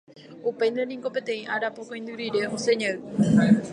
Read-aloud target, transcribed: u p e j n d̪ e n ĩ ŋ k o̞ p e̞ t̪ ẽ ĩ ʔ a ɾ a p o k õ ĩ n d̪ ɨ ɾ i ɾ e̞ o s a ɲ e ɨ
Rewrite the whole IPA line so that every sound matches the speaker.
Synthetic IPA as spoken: u p e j n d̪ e n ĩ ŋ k o̞ p e̞ t̪ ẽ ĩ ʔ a ɾ a p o k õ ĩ n d̪ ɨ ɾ i ɾ e̞ o s e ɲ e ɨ